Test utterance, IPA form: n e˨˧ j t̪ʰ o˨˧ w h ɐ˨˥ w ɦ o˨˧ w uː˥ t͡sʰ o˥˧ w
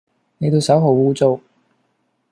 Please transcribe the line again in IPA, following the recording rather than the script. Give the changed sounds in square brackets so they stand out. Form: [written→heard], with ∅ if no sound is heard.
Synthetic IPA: n e˨˧ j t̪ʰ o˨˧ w [h→s] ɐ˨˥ w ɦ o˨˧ w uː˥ [t͡sʰ→t͡s] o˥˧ w